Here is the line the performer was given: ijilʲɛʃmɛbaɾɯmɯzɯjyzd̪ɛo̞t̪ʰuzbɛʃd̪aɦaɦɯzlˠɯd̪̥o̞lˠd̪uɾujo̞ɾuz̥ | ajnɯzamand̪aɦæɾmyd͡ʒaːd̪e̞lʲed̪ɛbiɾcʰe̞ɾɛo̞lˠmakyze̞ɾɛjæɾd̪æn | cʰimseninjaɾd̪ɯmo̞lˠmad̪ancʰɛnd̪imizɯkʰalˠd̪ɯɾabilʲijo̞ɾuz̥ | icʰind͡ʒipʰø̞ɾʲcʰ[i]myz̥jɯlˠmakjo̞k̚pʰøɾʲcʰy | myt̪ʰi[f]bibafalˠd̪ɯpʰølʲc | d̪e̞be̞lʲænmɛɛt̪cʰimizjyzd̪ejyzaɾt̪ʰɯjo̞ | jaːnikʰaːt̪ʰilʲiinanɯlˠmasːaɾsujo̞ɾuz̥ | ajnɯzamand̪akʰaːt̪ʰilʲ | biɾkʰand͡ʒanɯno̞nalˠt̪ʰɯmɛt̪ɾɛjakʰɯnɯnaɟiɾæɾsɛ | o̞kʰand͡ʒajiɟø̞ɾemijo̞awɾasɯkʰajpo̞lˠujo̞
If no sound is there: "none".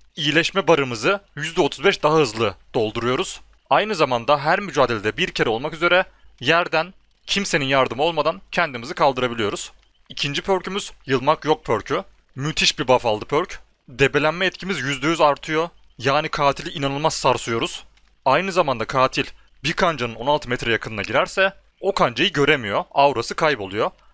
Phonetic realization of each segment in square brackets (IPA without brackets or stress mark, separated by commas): y, ʃ